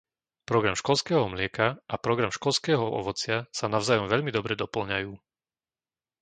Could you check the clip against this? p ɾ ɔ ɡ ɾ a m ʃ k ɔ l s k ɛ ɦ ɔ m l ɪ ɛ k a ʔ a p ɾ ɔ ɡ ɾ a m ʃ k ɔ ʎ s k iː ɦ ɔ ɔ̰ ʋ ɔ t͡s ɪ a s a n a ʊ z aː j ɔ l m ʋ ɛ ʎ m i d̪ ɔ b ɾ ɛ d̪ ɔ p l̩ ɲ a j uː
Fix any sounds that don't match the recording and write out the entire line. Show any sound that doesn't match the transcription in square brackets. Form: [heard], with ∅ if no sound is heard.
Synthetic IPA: p ɾ ɔ ɡ ɾ a m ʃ k ɔ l s k [ɛː] ɦ ɔ m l ɪ ɛ k a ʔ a p ɾ ɔ ɡ ɾ a m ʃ k ɔ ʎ s k [ɛː] ɦ ɔ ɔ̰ ʋ ɔ t͡s ɪ a s a n a ʊ z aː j ɔ [∅] m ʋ ɛ ʎ m i d̪ ɔ b ɾ ɛ d̪ ɔ p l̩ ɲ a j uː